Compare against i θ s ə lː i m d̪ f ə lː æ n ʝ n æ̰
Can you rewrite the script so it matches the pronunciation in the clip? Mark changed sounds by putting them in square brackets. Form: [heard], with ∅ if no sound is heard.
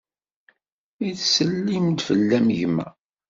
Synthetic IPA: i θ s ə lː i m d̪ f ə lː æ [m] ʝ [m] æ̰